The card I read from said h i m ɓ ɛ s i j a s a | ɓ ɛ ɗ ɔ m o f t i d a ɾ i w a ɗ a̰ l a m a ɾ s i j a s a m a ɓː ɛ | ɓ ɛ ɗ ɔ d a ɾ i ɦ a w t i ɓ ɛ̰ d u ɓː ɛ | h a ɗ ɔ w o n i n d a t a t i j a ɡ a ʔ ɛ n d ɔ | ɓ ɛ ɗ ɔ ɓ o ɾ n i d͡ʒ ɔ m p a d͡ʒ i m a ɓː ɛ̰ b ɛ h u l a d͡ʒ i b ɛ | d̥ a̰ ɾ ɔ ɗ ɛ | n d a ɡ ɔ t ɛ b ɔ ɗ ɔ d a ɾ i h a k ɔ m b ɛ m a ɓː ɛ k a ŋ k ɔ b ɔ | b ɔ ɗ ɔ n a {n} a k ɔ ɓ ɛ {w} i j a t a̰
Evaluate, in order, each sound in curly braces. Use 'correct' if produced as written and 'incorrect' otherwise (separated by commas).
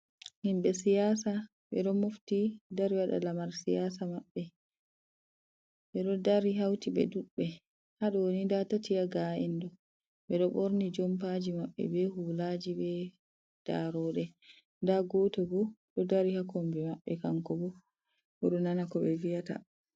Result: correct, incorrect